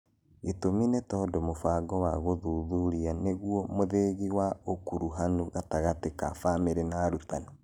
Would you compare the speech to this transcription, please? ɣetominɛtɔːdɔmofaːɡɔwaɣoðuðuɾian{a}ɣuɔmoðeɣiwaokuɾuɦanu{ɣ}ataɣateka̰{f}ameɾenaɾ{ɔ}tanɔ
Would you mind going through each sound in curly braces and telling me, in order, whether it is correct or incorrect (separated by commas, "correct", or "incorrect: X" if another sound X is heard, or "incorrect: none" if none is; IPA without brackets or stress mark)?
incorrect: e, correct, correct, incorrect: u